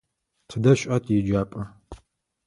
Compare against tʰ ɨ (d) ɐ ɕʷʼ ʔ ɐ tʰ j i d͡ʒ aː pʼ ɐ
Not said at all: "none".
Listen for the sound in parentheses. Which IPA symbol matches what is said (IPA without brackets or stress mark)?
d